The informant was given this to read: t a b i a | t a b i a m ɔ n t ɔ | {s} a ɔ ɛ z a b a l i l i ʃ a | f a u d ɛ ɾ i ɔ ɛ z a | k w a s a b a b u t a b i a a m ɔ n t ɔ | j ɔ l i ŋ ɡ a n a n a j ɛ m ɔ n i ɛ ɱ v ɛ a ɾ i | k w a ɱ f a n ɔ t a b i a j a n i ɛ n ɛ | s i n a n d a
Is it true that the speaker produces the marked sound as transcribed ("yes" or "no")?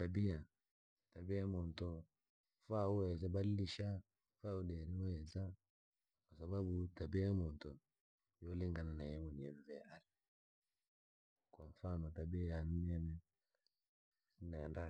no